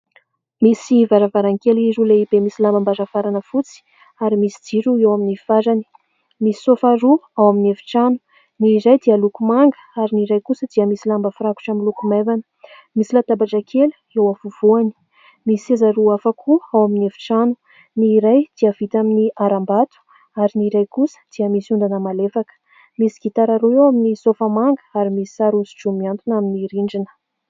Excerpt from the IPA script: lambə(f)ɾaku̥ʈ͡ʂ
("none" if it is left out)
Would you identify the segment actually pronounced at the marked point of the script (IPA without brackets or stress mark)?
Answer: f